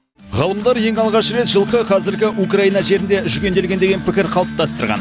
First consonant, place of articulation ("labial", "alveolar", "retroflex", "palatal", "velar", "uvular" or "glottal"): uvular